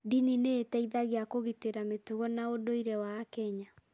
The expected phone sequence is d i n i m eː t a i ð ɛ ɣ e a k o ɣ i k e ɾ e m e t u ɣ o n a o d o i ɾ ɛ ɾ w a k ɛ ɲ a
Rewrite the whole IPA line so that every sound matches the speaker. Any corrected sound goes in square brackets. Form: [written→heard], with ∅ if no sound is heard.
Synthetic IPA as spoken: d i n i [m→n] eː t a i ð [ɛ→a] ɣ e a k o ɣ i [k→t] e ɾ [e→a] m e t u ɣ [o→ɔ] n a o d o i ɾ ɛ [ɾ→∅] w a k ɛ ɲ a

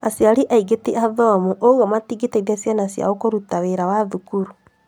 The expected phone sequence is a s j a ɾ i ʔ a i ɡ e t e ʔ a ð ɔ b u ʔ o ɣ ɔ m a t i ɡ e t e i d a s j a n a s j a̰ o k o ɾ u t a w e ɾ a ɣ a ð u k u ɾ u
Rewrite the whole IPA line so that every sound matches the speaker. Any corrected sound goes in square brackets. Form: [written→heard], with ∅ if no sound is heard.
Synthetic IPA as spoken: a s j a ɾ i ʔ a i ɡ e t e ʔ a ð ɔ [b→m] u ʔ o ɣ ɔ m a t i ɡ e t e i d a s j a n a s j a̰ o k o ɾ u t a w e ɾ a [ɣ→w] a ð u k u ɾ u

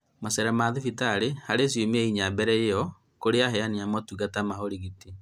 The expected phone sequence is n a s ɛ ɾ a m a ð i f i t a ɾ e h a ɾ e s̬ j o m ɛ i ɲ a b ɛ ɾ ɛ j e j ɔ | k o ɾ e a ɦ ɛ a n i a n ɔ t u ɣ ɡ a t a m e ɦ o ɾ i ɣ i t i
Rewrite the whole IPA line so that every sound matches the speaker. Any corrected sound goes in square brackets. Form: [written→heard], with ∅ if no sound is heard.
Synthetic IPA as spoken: [n→m] a s ɛ ɾ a m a ð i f i t a ɾ e h a ɾ e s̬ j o m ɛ i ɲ a b ɛ ɾ ɛ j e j ɔ | k o ɾ e a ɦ ɛ a n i a [n→m] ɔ t u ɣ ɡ a t a m [e→a] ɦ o ɾ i ɣ i t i

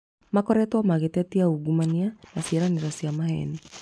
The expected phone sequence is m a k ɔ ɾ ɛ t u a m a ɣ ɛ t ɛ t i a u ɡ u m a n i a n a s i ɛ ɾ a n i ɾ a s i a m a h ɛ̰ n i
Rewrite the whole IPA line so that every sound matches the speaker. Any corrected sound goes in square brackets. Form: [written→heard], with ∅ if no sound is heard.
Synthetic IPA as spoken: m a k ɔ ɾ ɛ t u a m a ɣ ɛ t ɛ t i a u ɡ u m a n i a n a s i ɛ ɾ a n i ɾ a s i a m a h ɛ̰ n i

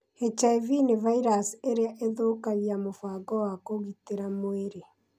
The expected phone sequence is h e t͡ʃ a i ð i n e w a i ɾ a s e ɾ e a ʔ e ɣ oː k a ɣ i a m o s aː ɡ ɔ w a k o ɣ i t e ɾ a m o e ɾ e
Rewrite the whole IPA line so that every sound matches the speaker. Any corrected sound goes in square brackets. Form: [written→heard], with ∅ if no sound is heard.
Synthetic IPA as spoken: h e t͡ʃ a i [ð→v] i n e [w→v] a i ɾ a s e ɾ e a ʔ e [ɣ→ð] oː k a ɣ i a m o [s→f] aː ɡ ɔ w a k o ɣ i t e ɾ a m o e ɾ e

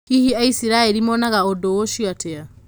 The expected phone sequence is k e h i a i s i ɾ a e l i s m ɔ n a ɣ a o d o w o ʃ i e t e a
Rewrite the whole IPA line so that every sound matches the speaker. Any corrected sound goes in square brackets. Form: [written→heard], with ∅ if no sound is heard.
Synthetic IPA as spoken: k [e→i] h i a i s i ɾ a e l i [s→∅] m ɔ n a ɣ a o d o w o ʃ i [e→a] t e a

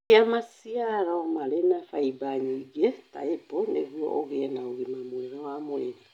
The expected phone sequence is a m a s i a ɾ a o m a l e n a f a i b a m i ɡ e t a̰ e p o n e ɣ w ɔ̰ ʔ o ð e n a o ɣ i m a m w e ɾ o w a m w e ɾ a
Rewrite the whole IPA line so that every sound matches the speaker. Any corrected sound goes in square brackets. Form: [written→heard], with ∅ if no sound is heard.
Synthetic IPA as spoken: a m a s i a ɾ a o m a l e n a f a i b a [m→ɲ] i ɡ e t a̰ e p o n e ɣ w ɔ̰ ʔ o [ð→ɣ] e n a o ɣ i m a m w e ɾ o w a m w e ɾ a

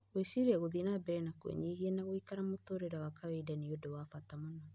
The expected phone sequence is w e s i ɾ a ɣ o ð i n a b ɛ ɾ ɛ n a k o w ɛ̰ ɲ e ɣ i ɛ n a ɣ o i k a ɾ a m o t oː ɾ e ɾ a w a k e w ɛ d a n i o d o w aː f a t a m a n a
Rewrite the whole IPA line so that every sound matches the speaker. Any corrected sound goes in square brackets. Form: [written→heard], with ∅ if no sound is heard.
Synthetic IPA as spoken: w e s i ɾ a ɣ o ð i n a b ɛ ɾ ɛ n a k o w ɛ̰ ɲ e ɣ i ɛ n a ɣ o i k a ɾ a m o t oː ɾ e ɾ a w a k [e→a] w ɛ d a n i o d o w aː f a t a m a n a

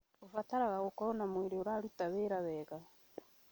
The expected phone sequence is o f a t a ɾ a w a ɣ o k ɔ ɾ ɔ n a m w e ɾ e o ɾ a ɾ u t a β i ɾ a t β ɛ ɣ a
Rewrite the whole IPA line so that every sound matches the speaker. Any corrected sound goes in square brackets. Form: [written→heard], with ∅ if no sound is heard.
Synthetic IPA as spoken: o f a t a ɾ a [w→ɣ] a ɣ o k ɔ ɾ ɔ n a m w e ɾ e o ɾ a ɾ u t a β [i→e] ɾ a [t→∅] β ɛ ɣ a

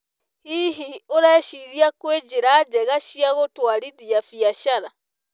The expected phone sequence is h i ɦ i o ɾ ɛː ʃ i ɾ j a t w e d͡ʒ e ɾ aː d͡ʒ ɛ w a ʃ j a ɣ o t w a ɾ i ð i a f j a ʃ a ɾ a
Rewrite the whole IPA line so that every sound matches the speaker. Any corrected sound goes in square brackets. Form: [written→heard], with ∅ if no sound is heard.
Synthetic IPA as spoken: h i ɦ i o ɾ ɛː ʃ i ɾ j a [t→k] w e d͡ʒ e ɾ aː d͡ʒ ɛ [w→ɣ] a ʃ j a ɣ o t w a ɾ i ð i a f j a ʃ a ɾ a

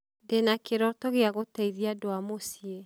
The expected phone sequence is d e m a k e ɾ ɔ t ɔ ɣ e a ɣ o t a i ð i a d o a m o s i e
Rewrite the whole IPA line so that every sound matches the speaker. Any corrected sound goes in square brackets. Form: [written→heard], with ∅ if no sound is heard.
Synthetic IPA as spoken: d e [m→n] a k e ɾ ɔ t ɔ ɣ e a ɣ o t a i ð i a d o a m o s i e

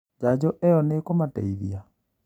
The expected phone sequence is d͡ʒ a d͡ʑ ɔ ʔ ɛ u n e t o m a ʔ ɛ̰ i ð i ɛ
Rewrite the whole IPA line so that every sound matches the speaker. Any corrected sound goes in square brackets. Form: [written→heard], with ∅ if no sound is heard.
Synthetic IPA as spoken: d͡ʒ a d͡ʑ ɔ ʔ ɛ [u→ɔ] n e [t→k] o m a [ʔ→t] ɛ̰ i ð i [ɛ→a]

